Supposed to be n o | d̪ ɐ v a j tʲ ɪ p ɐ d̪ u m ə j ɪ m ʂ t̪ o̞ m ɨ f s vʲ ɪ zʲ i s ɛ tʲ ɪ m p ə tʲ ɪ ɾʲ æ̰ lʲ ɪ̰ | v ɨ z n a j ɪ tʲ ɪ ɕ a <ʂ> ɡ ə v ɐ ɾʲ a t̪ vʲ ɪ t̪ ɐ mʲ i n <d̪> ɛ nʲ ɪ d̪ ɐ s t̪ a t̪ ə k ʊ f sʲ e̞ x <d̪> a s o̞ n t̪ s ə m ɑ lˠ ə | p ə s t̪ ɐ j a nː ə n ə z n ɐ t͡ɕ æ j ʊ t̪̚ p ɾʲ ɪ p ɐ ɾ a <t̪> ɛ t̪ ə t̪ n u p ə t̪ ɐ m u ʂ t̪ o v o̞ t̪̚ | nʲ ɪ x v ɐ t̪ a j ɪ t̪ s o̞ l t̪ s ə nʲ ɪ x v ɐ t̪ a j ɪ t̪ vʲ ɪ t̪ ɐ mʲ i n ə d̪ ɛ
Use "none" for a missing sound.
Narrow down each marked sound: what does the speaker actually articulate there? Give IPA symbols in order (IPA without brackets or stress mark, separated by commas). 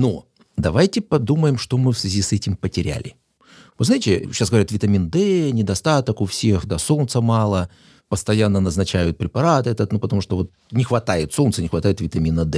s, d̪, d̪, t̪